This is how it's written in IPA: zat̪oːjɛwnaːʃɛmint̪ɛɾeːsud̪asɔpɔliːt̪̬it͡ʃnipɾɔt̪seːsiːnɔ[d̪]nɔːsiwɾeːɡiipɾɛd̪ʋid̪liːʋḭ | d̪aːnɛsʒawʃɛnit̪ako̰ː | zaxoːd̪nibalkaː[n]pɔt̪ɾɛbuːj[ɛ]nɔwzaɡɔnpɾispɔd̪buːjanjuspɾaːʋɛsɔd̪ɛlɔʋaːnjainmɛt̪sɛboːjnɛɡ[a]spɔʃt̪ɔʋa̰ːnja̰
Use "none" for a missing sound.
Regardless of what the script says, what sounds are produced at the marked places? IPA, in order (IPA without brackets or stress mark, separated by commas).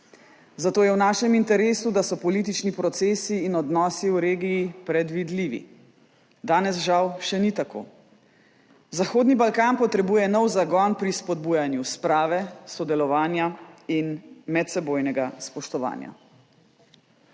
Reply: d̪, n, ɛ, a